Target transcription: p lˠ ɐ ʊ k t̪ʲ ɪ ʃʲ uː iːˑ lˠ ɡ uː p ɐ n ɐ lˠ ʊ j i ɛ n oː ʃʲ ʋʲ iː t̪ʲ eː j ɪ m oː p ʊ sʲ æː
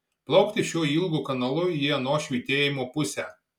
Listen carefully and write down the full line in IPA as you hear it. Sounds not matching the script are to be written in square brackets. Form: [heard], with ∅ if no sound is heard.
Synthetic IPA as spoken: p lˠ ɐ ʊ k t̪ʲ ɪ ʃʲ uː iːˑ lˠ ɡ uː [k] ɐ n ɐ lˠ ʊ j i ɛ n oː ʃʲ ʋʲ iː t̪ʲ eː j ɪ m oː p ʊ sʲ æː

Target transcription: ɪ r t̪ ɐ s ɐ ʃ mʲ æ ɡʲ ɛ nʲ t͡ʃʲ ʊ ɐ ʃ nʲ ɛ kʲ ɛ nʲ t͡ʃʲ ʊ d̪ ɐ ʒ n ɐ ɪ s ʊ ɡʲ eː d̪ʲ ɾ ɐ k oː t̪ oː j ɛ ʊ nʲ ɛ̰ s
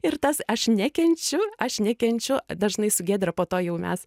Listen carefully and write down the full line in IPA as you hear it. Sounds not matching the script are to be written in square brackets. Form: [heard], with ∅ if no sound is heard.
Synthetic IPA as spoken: ɪ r t̪ ɐ s ɐ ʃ [nʲ] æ [kʲ] ɛ nʲ t͡ʃʲ ʊ ɐ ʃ nʲ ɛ kʲ ɛ nʲ t͡ʃʲ ʊ d̪ ɐ ʒ n ɐ ɪ s ʊ ɡʲ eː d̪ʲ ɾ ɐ [p] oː t̪ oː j ɛ ʊ [mʲ] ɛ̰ s

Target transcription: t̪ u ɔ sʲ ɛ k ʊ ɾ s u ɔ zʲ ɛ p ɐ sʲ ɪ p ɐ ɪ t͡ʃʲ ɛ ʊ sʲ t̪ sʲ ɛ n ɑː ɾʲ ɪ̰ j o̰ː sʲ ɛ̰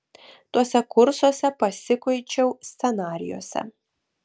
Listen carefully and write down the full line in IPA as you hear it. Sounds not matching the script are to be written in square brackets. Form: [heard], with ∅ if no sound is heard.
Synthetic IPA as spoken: t̪ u ɔ sʲ ɛ k ʊ ɾ s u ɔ [sʲ] ɛ p ɐ sʲ ɪ [k] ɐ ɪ t͡ʃʲ ɛ ʊ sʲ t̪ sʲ ɛ n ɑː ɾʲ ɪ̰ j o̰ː sʲ ɛ̰

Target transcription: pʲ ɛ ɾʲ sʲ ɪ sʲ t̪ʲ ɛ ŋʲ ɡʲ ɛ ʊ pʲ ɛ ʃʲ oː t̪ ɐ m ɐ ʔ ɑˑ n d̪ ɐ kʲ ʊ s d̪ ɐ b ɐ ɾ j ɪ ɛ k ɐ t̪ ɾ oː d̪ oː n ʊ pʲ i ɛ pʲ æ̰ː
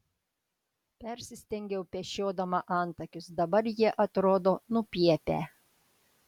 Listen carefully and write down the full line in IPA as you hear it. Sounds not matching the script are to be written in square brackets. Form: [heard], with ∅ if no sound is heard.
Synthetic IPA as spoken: pʲ ɛ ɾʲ sʲ ɪ sʲ t̪ʲ ɛ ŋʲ ɡʲ ɛ ʊ pʲ ɛ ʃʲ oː [d̪] ɐ m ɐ ʔ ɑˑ n [t̪] ɐ kʲ ʊ s d̪ ɐ b ɐ ɾ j [i] ɛ [ʔ] ɐ t̪ ɾ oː d̪ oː n ʊ pʲ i ɛ pʲ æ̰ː

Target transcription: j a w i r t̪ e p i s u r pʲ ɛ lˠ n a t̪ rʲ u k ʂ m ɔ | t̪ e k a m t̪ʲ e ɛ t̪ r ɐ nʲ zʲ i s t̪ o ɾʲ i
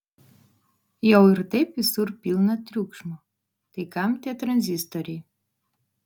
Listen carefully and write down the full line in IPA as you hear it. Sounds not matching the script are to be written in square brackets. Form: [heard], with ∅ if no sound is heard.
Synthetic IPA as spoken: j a w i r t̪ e p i s u r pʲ [i] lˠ n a t̪ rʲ u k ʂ m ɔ | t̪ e k a m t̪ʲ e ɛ t̪ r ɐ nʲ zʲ i s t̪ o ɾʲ i

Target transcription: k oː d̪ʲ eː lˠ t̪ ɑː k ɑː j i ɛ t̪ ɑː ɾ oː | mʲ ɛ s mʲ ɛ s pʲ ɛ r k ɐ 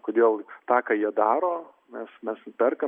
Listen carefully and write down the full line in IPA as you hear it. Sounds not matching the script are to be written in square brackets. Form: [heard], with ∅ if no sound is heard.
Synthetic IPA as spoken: k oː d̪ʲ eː lˠ t̪ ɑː k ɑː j i ɛ [d̪] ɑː ɾ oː | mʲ ɛ s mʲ ɛ s pʲ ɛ r k ɐ

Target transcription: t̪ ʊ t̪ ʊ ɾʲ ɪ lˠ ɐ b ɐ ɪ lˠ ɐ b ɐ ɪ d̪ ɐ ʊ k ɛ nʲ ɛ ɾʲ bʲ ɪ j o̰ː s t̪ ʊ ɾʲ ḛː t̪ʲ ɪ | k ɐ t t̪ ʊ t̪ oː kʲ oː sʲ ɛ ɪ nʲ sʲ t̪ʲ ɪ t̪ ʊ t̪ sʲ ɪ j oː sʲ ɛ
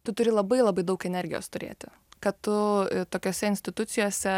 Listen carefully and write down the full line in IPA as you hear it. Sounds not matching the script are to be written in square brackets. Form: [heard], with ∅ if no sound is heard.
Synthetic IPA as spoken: t̪ ʊ t̪ ʊ ɾʲ ɪ lˠ ɐ b ɐ ɪ lˠ ɐ b ɐ ɪ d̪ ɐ ʊ k ɛ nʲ ɛ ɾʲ [ɡʲ] ɪ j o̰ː s t̪ ʊ ɾʲ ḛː t̪ʲ ɪ | k ɐ t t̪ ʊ t̪ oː kʲ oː sʲ ɛ ɪ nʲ sʲ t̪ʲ ɪ t̪ ʊ t̪ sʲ ɪ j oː sʲ ɛ

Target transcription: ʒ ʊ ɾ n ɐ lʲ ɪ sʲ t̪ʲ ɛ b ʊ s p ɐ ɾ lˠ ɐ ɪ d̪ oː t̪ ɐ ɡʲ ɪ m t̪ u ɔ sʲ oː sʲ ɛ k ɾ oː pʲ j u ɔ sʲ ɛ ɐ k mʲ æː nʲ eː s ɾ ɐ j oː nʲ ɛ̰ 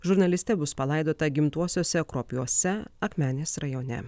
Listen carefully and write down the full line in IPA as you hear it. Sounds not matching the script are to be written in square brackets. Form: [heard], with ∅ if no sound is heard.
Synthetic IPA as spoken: ʒ ʊ ɾ n ɐ lʲ ɪ sʲ t̪ʲ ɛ b ʊ s p ɐ [∅] lˠ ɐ ɪ d̪ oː t̪ ɐ ɡʲ ɪ m t̪ u ɔ sʲ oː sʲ ɛ k ɾ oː pʲ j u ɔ sʲ ɛ ɐ k mʲ æː nʲ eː s ɾ ɐ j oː nʲ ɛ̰

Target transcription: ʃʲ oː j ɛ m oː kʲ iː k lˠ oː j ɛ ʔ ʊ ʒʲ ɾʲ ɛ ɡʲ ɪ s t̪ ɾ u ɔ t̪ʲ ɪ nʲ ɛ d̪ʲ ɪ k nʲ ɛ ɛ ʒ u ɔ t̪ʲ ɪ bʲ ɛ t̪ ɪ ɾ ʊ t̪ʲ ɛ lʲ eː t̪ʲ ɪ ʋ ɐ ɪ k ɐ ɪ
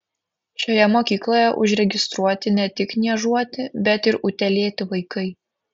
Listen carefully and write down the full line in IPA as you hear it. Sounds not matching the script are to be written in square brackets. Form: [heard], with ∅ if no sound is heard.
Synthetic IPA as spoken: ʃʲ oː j ɛ m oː kʲ iː k lˠ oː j ɛ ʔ ʊ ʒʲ ɾʲ ɛ ɡʲ ɪ s t̪ ɾ u ɔ t̪ʲ ɪ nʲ ɛ [t̪ʲ] ɪ k nʲ [i] ɛ ʒ u ɔ t̪ʲ ɪ bʲ ɛ t̪ ɪ ɾ ʊ t̪ʲ ɛ lʲ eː t̪ʲ ɪ ʋ ɐ ɪ k ɐ ɪ

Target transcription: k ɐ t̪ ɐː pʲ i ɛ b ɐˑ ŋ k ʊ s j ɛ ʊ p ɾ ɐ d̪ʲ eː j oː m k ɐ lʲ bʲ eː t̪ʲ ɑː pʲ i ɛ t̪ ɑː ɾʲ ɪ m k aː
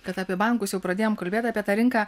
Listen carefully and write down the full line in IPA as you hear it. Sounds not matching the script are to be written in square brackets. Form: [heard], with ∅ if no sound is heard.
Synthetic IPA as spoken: k ɐ t̪ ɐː pʲ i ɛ b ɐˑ ŋ k ʊ s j ɛ ʊ p ɾ ɐ d̪ʲ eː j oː m k ɐ lʲ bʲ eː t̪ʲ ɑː pʲ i ɛ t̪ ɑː ɾʲ ɪ [ŋ] k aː

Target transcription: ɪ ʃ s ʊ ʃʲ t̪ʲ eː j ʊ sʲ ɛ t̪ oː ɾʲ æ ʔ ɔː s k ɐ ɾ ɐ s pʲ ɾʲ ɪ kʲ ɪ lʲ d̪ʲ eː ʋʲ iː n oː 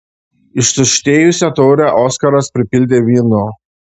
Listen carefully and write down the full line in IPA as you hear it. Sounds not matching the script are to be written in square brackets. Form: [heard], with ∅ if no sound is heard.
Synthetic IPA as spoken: ɪ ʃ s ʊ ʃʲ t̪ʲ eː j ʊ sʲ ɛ t̪ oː ɾʲ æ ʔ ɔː s k ɐ ɾ ɐ s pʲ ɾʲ ɪ [pʲ] ɪ lʲ d̪ʲ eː ʋʲ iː n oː

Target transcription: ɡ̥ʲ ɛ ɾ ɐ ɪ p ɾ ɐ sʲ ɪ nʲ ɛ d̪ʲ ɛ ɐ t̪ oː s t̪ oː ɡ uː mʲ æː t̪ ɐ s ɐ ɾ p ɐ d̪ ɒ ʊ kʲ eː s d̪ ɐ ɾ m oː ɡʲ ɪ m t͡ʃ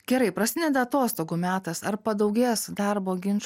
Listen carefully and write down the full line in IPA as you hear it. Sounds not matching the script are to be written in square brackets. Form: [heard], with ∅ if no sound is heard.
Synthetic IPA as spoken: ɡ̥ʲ ɛ ɾ ɐ ɪ p ɾ ɐ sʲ ɪ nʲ ɛ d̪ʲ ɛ ɐ t̪ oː s t̪ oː ɡ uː mʲ æː t̪ ɐ s ɐ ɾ p ɐ d̪ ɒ ʊ [ɡʲ] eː s d̪ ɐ ɾ [b] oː ɡʲ ɪ [n] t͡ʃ

